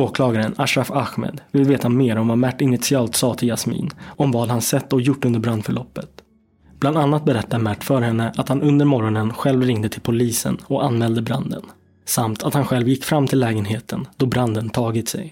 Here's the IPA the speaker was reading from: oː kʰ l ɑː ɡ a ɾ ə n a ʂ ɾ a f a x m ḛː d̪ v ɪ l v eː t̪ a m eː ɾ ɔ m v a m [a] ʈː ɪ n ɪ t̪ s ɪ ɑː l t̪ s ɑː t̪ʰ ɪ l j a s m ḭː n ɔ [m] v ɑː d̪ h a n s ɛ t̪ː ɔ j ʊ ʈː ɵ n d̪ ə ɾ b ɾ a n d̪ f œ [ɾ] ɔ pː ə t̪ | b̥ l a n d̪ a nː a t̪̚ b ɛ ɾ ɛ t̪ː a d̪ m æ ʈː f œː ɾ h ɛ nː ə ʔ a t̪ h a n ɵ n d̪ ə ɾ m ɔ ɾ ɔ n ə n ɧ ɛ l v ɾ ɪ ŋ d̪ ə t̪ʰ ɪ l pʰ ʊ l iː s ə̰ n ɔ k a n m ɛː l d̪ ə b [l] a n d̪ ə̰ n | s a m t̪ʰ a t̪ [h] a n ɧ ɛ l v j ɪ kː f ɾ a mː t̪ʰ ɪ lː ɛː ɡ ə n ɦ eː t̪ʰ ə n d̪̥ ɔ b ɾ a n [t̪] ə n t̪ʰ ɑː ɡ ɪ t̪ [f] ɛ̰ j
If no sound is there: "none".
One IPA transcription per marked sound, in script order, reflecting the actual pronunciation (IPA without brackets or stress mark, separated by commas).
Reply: æ, m, ɭ, ɾ, h, d̪, s